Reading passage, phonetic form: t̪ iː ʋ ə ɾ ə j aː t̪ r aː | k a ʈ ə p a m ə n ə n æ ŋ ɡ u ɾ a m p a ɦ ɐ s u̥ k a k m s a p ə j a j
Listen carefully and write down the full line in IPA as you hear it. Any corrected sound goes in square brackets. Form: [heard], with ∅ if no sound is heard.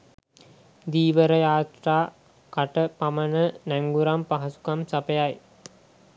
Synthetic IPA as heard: [d̪] iː ʋ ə ɾ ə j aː t̪ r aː | k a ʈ ə p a m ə n ə n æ ŋ ɡ u ɾ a m p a ɦ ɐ s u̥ k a [∅] m s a p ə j a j